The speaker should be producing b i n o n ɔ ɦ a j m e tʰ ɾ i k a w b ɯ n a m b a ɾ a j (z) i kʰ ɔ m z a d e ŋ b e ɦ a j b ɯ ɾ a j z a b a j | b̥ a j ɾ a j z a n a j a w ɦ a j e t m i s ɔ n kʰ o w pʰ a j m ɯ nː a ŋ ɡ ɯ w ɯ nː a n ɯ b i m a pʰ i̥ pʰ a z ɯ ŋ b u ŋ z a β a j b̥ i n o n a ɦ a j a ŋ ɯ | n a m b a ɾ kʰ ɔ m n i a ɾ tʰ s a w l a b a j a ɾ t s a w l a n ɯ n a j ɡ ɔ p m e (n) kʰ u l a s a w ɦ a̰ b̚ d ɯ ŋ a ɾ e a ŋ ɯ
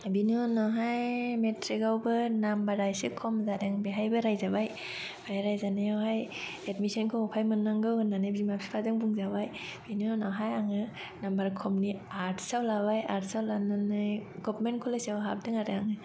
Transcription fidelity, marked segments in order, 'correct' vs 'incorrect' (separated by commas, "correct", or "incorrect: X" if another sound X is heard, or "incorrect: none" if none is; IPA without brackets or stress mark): incorrect: s, correct